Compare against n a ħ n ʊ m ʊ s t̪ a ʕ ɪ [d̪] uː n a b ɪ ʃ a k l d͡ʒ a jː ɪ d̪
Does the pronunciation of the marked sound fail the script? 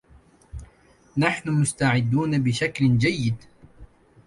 yes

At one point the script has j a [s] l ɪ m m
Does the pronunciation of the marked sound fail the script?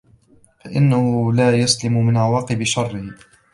no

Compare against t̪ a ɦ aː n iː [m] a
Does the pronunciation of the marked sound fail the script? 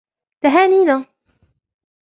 yes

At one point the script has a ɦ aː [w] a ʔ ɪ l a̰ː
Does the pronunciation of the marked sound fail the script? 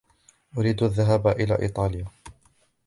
yes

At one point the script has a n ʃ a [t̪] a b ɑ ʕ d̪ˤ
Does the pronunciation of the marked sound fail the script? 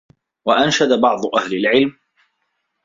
yes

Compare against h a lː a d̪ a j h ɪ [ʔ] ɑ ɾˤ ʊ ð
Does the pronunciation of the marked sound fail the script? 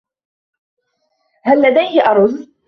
no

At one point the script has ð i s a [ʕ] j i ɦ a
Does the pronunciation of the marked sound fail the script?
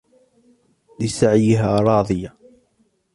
no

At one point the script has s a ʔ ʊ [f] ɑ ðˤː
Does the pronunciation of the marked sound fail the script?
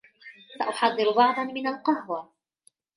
yes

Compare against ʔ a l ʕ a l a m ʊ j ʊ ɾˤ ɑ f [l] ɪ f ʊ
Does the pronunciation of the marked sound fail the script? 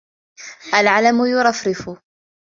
yes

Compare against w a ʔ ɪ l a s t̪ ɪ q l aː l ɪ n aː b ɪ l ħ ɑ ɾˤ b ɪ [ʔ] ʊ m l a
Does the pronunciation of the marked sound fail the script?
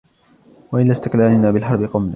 yes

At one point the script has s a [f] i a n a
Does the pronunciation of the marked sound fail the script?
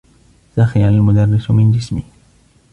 yes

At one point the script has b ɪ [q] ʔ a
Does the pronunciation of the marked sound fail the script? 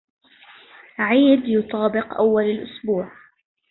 no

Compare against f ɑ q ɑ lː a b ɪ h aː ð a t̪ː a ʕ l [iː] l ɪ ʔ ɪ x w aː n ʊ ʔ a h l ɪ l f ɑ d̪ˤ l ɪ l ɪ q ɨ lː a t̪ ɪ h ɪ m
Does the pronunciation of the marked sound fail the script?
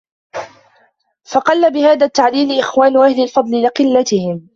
no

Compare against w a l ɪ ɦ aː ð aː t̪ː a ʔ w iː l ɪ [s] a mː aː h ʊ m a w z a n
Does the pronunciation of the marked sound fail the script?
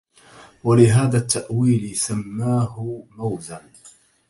no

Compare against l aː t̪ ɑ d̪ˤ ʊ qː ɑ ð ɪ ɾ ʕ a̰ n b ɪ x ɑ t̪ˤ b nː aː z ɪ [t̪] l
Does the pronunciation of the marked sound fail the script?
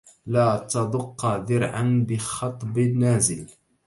yes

